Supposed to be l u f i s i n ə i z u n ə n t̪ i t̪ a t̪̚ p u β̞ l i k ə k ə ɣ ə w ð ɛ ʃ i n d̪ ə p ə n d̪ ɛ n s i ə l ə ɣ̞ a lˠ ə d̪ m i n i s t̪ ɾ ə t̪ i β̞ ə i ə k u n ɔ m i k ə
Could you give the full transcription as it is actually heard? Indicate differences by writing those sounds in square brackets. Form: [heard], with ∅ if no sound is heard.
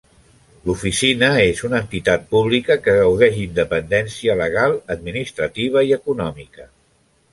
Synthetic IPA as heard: l u f i s i n ə [e] z u n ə n t̪ i t̪ a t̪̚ p u β̞ l i k ə k ə ɣ ə w ð ɛ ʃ i n d̪ ə p ə n d̪ ɛ n s i ə l ə ɣ̞ a lˠ ə d̪ m i n i s t̪ ɾ ə t̪ i β̞ ə i ə k u n ɔ m i k ə